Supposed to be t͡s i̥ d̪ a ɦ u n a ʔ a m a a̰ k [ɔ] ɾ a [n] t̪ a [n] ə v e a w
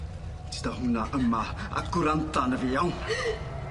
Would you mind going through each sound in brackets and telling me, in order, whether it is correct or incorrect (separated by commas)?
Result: incorrect, correct, correct